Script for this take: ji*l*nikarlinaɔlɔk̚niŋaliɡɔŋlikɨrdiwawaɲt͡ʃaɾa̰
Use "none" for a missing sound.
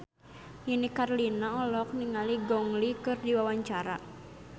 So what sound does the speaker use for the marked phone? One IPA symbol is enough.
none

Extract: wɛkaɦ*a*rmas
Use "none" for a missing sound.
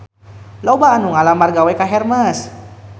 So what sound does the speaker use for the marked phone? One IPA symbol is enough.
ɛ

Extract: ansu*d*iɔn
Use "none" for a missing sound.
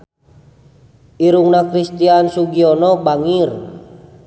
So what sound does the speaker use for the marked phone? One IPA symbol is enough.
ɡ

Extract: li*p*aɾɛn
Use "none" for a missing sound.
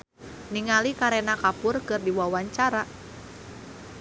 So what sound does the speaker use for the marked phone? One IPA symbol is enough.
k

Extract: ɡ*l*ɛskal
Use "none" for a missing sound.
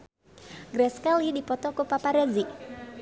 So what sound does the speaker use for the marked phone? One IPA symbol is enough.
ɾ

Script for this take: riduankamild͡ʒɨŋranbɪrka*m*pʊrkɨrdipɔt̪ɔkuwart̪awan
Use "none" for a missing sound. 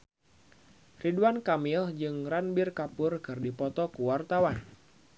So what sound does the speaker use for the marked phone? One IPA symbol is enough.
none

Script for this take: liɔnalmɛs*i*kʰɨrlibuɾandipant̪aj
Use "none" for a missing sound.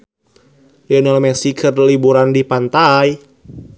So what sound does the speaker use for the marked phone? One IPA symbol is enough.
i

